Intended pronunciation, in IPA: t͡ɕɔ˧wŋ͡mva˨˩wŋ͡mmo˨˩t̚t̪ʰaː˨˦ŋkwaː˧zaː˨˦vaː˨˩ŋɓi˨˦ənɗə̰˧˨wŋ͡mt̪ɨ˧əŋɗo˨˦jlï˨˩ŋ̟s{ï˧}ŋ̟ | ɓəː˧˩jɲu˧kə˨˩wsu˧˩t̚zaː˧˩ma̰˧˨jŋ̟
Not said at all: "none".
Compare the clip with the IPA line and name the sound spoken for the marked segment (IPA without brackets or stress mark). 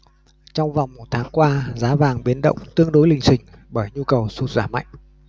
ï˨˩